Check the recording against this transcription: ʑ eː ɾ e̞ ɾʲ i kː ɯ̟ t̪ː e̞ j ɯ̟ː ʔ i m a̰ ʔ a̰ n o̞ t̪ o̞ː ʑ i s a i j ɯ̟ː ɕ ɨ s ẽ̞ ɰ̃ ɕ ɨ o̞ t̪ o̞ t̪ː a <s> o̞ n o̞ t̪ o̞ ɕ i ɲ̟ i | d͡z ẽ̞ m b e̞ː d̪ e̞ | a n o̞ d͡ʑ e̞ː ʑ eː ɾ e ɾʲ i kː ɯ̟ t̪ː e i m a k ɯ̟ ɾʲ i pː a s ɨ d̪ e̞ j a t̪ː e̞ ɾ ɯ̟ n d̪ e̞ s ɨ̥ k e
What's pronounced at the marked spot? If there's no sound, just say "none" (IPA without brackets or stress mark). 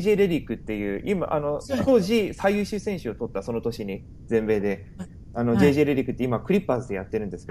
s